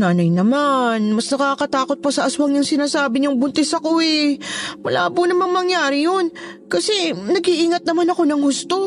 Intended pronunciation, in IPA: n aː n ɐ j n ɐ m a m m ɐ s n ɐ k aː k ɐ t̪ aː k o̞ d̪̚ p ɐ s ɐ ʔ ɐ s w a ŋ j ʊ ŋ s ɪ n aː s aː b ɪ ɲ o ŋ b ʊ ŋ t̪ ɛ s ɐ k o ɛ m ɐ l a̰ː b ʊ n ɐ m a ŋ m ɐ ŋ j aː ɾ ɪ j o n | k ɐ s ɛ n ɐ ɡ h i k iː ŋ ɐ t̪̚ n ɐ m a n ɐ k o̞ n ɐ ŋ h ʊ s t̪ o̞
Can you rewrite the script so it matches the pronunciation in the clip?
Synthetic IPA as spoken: n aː n ɐ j n ɐ m a n m ɐ s n ɐ k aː k ɐ t̪ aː k o̞ t̪̚ p ɐ s ɐ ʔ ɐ s w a ŋ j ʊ ŋ s ɪ n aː s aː b ɪ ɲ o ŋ b ʊ n t̪ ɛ s ɐ k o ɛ m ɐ l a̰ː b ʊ n ɐ m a ŋ m ɐ ŋ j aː ɾ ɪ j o n | k ɐ s ɛ n ɐ ɡ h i ʔ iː ŋ ɐ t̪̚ n ɐ m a n ɐ k o̞ n ɐ ŋ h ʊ s t̪ o̞